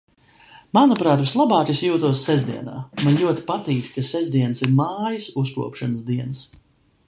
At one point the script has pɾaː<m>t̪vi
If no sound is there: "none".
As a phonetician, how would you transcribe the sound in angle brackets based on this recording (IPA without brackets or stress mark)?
none